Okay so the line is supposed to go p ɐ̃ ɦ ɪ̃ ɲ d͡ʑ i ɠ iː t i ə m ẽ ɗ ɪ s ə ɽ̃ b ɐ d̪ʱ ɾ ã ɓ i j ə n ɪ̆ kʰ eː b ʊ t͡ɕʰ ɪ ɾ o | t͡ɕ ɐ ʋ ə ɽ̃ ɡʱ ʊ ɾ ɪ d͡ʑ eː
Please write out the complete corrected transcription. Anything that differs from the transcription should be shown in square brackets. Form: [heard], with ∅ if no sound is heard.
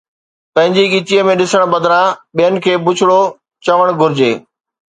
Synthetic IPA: p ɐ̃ ɦ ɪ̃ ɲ d͡ʑ i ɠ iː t i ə m ẽ ɗ ɪ s ə ɽ̃ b ɐ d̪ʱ ɾ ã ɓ i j ə n ɪ̆ kʰ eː b ʊ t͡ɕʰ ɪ [ɽ] o | t͡ɕ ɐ ʋ ə ɽ̃ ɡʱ ʊ ɾ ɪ d͡ʑ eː